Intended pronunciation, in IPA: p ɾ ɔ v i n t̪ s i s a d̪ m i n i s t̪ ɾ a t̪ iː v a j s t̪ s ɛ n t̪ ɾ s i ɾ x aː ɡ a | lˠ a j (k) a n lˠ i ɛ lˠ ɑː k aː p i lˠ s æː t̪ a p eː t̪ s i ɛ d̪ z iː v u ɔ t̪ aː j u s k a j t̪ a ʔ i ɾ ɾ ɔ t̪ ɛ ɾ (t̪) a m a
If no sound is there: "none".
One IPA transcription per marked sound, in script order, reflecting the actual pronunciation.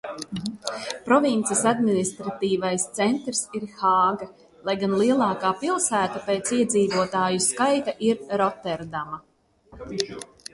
ɡ, d̪

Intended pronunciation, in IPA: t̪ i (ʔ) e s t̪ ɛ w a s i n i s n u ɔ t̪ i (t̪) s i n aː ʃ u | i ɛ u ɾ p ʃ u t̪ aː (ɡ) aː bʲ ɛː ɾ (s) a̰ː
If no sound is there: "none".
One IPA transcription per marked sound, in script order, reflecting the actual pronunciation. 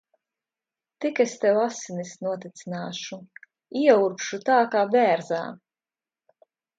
k, t̪, k, z

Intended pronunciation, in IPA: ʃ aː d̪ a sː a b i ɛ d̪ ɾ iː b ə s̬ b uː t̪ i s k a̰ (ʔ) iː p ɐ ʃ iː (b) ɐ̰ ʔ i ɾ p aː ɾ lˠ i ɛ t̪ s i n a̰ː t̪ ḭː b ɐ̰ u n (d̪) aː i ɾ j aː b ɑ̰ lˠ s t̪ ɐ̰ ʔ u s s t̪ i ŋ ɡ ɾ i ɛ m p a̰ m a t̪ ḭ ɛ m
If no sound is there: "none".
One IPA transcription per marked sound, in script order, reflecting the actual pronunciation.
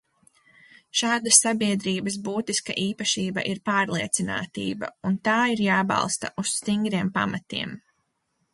ʔ, b, t̪

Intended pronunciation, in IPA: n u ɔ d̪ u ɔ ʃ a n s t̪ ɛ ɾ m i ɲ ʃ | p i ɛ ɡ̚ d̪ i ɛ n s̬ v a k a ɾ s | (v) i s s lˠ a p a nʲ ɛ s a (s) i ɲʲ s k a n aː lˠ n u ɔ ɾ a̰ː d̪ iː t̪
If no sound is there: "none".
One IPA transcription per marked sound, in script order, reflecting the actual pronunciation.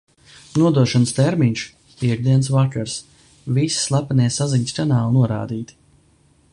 v, z

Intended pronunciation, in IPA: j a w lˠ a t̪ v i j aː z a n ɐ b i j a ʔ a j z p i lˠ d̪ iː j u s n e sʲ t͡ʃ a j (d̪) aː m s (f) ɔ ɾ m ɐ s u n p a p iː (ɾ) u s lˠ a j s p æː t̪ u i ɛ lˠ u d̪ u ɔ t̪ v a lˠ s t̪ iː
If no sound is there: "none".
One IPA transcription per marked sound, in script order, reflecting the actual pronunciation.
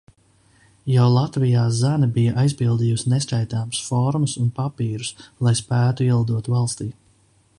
t̪, f, ɾ

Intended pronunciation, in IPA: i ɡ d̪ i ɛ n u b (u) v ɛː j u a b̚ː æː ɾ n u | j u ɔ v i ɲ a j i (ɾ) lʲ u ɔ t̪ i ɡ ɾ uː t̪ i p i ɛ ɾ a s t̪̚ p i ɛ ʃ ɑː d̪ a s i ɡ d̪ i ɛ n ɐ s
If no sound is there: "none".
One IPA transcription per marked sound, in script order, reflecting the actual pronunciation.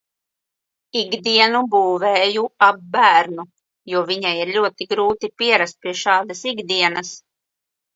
uː, ɾ

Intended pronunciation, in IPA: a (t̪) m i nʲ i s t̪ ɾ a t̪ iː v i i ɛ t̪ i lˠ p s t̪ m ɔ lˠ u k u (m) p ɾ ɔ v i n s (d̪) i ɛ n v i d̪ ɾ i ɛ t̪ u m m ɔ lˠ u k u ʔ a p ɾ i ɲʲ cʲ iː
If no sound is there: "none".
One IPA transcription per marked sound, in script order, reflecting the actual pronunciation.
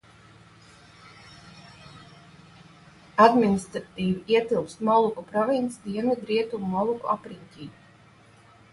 d̪, none, d̪

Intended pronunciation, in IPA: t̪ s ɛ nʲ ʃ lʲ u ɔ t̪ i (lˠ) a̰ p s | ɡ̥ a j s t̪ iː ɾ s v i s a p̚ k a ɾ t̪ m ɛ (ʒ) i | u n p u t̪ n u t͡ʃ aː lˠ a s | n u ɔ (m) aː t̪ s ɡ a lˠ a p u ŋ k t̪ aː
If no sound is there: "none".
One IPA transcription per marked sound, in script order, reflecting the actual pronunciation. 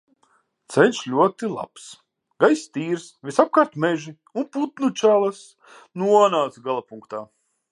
lˠ, ʒ, n

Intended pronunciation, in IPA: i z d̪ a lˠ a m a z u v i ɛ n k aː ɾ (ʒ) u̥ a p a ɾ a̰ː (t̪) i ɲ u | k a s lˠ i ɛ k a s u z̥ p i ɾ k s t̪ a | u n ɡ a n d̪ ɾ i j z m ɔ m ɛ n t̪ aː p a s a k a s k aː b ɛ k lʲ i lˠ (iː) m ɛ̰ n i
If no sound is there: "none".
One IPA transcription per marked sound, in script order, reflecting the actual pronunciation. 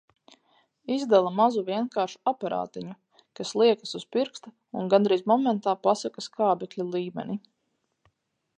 ʃ, t̪, iː

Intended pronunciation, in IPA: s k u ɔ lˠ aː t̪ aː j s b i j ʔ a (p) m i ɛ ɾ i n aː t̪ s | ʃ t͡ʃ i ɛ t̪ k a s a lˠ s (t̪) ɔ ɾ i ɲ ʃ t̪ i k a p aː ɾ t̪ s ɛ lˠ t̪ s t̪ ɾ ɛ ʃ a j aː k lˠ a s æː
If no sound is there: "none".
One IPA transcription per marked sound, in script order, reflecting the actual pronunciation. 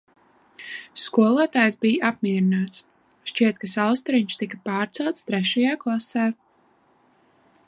p, t̪

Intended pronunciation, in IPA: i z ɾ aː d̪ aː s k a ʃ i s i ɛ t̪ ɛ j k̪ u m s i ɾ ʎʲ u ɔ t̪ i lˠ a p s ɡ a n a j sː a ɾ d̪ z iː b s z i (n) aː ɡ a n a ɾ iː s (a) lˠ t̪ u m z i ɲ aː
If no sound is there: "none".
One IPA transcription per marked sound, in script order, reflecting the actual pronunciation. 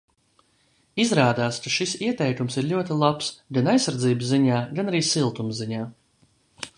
ɲ, i

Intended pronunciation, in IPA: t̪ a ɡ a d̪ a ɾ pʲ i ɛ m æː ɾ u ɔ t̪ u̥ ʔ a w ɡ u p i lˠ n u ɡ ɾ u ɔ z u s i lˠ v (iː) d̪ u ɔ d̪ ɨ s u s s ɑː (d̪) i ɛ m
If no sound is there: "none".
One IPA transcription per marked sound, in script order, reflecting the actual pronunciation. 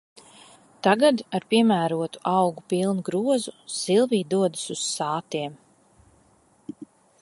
iː, t̪

